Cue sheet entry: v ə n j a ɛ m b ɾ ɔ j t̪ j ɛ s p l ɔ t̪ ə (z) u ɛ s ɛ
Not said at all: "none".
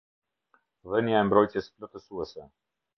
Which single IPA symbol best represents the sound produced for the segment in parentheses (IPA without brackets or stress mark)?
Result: s